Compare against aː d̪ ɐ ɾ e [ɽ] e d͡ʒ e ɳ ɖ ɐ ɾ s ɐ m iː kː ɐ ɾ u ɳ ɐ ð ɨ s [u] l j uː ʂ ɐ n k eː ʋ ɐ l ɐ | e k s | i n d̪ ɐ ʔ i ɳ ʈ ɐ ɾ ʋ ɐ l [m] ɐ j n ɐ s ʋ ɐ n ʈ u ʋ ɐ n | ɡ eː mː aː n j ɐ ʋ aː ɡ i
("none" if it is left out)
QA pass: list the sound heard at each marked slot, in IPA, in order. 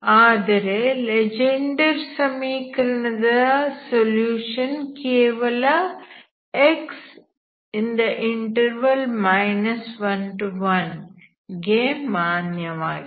l, o, m

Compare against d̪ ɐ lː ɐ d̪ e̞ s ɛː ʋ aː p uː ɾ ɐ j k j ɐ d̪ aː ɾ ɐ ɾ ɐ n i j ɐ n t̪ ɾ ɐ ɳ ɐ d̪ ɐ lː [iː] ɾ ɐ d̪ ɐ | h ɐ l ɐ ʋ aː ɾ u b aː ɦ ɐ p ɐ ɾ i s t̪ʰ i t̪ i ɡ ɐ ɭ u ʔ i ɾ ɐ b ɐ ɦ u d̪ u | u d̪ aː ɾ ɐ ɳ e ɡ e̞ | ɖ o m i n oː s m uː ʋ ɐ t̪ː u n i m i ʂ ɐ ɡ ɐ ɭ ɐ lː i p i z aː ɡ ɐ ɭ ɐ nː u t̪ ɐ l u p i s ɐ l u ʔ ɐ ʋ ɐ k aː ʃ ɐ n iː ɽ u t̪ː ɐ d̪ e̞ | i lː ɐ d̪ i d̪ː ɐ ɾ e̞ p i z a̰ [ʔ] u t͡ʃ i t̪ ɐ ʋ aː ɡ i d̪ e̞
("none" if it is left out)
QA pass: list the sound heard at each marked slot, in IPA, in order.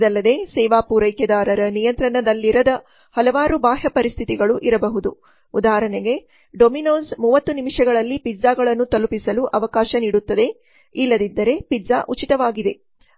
i, ʔ

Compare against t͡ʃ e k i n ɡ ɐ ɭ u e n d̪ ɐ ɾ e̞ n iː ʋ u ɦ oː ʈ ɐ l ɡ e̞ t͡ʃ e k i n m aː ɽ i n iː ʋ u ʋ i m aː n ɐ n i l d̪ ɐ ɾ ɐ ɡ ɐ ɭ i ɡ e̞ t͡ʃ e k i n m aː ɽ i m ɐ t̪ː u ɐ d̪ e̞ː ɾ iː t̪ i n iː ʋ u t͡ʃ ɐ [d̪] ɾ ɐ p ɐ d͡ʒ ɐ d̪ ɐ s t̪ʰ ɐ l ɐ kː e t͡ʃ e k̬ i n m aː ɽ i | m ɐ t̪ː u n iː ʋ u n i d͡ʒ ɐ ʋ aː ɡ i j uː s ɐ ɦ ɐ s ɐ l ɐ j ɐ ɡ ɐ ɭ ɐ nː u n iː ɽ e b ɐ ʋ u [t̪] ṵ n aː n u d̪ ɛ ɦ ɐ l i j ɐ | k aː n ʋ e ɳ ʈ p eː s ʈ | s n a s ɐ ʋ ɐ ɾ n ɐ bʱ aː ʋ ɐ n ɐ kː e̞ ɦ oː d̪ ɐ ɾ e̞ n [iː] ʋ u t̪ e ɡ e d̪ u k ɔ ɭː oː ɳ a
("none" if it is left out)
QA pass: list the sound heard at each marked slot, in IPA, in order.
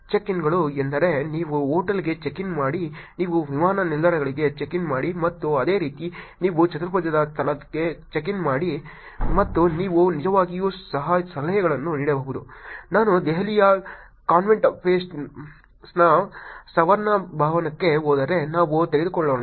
t̪, d̪, aː

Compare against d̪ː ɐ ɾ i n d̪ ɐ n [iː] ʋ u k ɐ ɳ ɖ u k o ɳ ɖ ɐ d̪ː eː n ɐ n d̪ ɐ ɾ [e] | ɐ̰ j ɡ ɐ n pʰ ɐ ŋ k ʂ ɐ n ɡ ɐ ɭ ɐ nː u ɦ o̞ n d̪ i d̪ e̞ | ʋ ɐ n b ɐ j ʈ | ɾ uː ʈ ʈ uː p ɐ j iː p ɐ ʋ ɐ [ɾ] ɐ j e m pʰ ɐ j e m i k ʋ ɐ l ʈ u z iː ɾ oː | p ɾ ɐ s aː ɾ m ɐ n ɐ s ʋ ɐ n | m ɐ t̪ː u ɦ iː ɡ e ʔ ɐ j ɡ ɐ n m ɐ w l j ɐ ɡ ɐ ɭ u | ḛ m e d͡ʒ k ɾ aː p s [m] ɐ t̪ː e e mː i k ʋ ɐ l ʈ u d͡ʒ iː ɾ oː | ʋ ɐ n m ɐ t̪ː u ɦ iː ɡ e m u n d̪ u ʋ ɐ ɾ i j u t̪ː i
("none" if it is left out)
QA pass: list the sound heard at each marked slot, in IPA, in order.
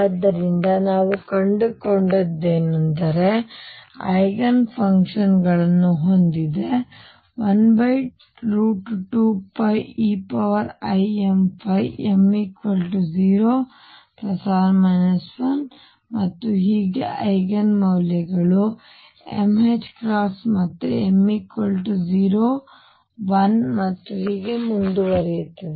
aː, e, ɾ, m

